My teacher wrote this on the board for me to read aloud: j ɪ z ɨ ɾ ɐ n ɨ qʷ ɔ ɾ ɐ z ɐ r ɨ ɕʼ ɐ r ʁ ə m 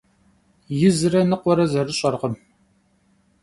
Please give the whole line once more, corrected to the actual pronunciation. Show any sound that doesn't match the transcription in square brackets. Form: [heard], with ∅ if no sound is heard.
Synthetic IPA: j ɪ z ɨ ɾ ɐ n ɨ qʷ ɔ ɾ ɐ z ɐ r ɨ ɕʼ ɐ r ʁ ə m